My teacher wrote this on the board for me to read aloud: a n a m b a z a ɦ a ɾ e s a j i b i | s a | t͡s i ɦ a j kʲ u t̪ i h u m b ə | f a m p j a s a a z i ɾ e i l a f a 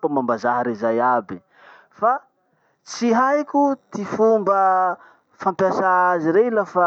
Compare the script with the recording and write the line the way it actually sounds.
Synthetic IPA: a m a m b a z a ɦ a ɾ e z a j a b i | f a | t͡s i ɦ a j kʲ u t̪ i f u m b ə | f a m p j a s a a z i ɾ e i l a f a